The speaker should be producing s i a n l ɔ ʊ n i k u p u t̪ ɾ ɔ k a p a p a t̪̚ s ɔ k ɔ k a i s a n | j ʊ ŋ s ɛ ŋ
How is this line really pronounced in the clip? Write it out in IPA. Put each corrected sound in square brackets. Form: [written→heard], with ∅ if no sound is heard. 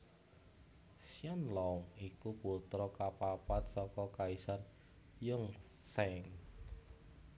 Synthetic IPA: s i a n l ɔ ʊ [n→ŋ] i k u p u t̪ ɾ ɔ k a p a p a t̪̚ s ɔ k ɔ k a i s a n | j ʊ ŋ s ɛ ŋ